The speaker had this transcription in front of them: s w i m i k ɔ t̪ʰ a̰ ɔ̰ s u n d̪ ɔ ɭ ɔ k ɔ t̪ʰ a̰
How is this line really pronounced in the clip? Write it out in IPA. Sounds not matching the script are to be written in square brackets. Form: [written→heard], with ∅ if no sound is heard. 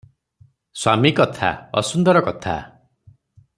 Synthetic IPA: s w [i→a] m i k ɔ t̪ʰ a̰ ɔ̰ s u n d̪ ɔ [ɭ→ɾ] ɔ k ɔ t̪ʰ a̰